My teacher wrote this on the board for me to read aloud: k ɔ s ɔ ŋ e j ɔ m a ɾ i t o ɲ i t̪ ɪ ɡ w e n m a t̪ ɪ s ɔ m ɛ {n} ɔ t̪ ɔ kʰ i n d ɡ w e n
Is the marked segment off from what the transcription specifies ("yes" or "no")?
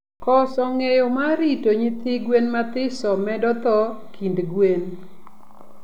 yes